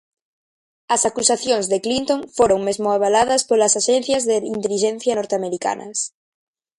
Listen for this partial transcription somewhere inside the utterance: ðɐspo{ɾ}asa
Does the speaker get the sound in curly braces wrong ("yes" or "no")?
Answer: yes